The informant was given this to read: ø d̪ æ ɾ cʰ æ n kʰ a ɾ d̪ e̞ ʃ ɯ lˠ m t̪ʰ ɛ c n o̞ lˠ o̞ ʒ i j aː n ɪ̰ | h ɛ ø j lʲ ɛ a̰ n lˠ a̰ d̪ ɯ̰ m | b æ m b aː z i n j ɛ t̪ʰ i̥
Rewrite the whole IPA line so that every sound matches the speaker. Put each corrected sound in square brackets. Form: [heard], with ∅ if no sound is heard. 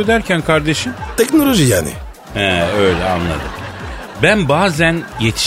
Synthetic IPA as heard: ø d̪ æ ɾ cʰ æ n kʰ a ɾ d̪ e̞ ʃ ɯ [∅] m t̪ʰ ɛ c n o̞ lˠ o̞ ʒ i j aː n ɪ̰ | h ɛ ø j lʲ ɛ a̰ n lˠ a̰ d̪ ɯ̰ m | b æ [n] b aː z [æ] n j [e] t̪ʰ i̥